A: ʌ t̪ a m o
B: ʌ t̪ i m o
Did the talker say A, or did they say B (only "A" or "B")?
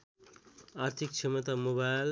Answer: A